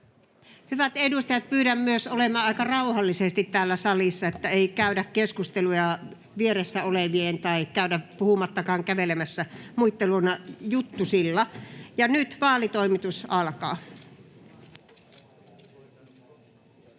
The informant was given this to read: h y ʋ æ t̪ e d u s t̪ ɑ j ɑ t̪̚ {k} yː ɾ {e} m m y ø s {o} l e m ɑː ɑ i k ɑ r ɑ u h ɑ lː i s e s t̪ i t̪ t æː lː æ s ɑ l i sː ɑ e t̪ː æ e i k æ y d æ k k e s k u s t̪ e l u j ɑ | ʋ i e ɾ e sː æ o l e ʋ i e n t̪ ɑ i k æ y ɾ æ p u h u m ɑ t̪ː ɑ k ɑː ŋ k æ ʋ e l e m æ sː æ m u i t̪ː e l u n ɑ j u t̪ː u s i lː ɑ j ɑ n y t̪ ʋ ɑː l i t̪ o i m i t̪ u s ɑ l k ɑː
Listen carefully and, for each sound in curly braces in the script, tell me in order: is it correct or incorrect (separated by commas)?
incorrect, incorrect, correct